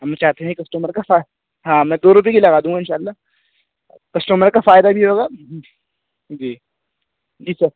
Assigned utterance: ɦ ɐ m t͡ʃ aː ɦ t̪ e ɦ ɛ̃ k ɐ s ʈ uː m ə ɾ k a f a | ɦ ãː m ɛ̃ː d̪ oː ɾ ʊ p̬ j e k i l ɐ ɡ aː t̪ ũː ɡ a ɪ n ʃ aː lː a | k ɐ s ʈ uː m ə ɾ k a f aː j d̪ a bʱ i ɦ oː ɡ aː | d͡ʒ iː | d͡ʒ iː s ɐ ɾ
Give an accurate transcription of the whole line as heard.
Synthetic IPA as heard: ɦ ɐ m t͡ʃ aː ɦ t̪ e ɦ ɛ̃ k ɐ s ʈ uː m ə ɾ k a f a | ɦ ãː m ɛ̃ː d̪ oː ɾ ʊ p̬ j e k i l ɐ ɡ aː d̪ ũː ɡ a ɪ n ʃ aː lː a | k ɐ s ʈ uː m ə ɾ k a f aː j d̪ a bʱ i ɦ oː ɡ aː | d͡ʒ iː | d͡ʒ iː s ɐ ɾ